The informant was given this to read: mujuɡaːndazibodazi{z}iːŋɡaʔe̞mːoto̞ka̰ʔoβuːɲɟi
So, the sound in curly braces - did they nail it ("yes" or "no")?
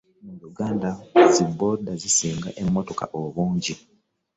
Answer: no